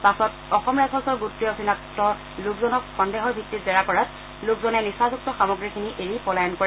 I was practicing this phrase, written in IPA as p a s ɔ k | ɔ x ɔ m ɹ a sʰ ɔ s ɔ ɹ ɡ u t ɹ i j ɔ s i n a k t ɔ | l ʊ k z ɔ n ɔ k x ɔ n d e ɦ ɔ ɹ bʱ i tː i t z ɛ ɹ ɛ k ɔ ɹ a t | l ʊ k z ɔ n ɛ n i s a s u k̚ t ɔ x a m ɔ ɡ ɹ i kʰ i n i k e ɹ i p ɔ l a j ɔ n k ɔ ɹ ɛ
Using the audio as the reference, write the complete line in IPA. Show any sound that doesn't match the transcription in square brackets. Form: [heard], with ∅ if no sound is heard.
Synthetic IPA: p a s ɔ [t] | ɔ x ɔ m ɹ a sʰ ɔ s ɔ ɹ ɡ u t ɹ i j ɔ s i n a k t ɔ | l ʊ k z ɔ n ɔ k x ɔ n d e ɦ ɔ ɹ bʱ i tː i t z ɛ ɹ [a] k ɔ ɹ a t | l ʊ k z ɔ n ɛ n i s a [z] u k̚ t ɔ x a m ɔ ɡ ɹ i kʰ i n i [ʔ] e ɹ i p ɔ l a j ɔ n k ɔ ɹ ɛ